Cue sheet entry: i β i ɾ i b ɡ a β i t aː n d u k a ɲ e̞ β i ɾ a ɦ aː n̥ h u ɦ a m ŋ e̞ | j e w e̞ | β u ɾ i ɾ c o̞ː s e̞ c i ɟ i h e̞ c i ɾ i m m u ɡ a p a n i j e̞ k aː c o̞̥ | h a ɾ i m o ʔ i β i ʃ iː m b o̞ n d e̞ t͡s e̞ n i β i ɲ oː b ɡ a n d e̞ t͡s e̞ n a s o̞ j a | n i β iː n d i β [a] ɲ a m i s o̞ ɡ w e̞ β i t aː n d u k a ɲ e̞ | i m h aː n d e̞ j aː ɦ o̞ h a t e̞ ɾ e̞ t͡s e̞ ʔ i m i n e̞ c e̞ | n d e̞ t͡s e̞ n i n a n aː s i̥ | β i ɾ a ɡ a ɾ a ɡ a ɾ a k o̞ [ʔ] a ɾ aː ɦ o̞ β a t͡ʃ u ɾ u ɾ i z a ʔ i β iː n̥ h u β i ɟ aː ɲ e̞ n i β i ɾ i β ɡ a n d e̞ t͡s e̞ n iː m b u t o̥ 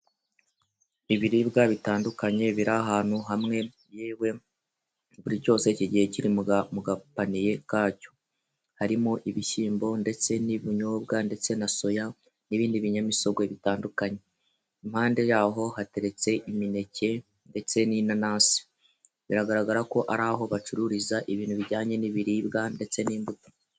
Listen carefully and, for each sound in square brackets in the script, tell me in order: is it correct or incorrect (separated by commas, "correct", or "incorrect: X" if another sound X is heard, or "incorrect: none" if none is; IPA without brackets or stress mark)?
incorrect: i, correct